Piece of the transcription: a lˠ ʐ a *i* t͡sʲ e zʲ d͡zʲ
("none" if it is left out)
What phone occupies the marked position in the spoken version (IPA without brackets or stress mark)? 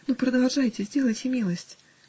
j